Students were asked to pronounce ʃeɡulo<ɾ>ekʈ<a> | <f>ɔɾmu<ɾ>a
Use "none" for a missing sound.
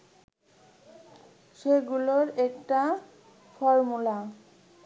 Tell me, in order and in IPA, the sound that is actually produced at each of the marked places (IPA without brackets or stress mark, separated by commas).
ɾ, a, f, l